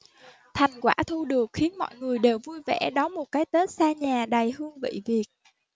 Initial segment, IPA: t̪ʰ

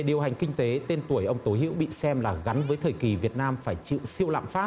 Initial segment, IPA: ɗ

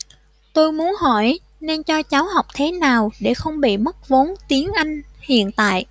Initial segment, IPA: t̪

